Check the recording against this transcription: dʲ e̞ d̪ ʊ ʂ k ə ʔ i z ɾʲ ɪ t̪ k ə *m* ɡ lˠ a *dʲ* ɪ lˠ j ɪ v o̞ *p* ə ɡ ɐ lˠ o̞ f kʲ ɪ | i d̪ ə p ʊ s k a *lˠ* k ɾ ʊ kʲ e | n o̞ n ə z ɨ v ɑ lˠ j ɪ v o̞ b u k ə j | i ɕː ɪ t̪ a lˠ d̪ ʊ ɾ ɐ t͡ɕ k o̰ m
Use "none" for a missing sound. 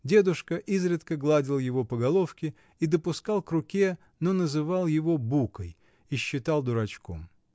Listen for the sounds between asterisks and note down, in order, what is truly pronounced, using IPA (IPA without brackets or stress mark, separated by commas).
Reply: none, dʲ, p, lˠ